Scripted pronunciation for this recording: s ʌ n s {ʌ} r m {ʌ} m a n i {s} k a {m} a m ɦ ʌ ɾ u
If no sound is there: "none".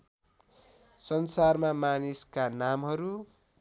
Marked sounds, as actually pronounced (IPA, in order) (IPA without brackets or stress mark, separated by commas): a, a, s, n